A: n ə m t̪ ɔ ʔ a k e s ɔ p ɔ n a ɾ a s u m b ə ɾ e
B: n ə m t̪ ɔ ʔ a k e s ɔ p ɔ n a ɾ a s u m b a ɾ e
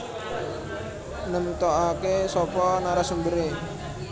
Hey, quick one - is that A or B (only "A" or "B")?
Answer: A